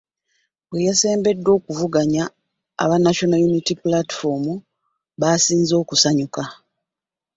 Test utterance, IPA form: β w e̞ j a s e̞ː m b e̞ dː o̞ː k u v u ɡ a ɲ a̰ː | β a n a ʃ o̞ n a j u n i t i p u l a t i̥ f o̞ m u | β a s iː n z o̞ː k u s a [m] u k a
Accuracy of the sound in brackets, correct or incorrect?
incorrect: ɲ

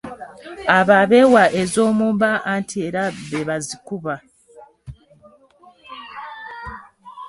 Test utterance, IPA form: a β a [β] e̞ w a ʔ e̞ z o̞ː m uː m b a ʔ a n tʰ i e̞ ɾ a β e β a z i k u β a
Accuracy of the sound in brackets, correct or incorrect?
correct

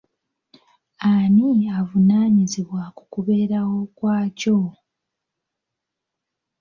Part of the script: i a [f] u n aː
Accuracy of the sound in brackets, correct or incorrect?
incorrect: v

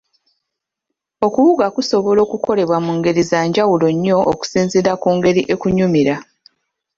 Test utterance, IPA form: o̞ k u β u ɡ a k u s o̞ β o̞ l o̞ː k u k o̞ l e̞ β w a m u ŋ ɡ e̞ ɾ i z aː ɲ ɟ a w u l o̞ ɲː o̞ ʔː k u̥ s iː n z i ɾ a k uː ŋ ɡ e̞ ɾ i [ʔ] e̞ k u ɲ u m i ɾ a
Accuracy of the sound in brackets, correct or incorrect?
correct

